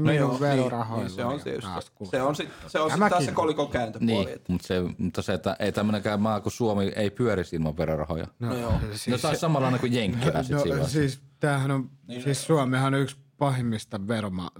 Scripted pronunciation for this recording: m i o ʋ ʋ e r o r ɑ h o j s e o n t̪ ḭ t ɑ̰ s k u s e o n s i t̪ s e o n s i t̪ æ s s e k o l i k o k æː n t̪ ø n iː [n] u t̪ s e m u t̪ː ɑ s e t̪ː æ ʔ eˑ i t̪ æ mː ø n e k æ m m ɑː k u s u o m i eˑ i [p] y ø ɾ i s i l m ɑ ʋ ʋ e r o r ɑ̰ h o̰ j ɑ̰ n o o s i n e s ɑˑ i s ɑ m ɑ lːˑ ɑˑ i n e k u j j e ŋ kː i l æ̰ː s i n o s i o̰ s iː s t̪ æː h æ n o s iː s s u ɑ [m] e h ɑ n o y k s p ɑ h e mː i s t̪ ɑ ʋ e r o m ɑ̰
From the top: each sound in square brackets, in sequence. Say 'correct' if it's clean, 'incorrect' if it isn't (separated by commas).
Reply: incorrect, correct, correct